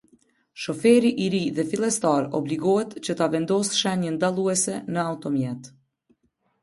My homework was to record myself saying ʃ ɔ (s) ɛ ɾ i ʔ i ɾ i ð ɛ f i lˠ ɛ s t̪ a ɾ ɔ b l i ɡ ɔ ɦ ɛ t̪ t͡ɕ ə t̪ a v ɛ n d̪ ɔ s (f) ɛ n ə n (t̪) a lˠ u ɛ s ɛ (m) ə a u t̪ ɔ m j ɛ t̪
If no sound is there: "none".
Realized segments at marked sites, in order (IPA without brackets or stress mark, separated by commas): f, ʃ, d̪, n